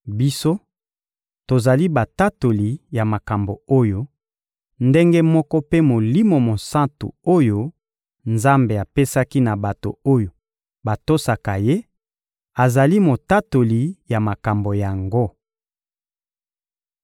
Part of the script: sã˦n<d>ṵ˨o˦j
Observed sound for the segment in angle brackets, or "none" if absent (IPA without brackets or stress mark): t